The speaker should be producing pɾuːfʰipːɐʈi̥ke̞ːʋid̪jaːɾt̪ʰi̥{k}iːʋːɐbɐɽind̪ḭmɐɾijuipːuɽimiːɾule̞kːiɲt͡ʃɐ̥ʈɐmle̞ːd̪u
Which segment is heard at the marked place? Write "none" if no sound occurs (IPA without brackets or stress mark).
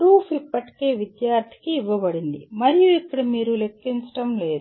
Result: k